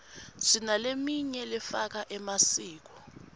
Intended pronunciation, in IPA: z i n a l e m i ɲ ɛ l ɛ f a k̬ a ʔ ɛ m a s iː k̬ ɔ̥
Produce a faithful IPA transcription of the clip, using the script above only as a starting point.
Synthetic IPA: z i n a l e m i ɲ ɛ l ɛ f a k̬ a ʔ ɛ m a s iː k̬ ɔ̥

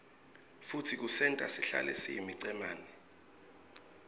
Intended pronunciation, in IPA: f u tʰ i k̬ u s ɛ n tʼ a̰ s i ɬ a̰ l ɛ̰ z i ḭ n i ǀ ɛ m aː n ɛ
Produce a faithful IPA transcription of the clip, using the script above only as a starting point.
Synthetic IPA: f u tʰ i k̬ u s ɛ n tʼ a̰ s i ɬ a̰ l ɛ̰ s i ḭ m i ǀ ɛ m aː n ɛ

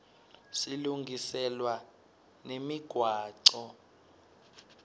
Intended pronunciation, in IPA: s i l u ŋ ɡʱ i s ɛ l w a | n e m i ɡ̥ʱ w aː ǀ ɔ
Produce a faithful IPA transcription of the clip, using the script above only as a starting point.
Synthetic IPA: s i l u ŋ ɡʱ i s ɛ l w a | n e m i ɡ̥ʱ w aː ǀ ɔ

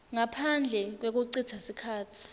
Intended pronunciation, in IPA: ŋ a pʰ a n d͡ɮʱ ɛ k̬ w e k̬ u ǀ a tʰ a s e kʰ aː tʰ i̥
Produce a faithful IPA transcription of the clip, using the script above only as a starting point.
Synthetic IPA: ŋ a pʰ a n d͡ɮʱ ɛ k̬ w e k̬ u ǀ i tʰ a s i kʰ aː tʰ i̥

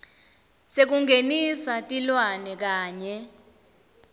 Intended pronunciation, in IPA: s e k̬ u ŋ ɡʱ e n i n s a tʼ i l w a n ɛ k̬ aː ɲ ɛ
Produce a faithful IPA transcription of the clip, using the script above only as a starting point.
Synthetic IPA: s e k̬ u ŋ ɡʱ e n i s a tʼ i l w a n ɛ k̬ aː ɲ ɛ

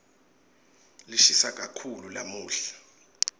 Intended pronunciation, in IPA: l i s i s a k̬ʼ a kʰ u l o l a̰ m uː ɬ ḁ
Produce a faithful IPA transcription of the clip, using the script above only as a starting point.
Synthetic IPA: l i ʃ i s a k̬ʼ a kʰ u l u l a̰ m uː ɬ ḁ

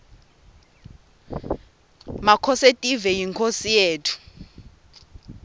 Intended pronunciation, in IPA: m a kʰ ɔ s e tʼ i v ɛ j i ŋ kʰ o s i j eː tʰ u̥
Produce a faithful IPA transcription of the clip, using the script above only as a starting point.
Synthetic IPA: m a kʰ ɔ s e tʼ i v ɛ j i ŋ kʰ o s i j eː tʰ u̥

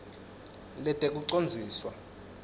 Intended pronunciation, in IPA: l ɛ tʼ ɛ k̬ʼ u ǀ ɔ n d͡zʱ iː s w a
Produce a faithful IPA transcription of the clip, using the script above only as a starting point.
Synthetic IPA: l ɛ tʼ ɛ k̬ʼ u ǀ o n d͡zʱ iː s w a

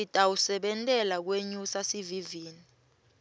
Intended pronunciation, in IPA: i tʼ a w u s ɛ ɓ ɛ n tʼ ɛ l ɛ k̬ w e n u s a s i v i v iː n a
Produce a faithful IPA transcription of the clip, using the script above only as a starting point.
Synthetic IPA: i tʼ a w u s ɛ ɓ ɛ n tʼ ɛ l a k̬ w e ɲ u s a s i v i v iː n i

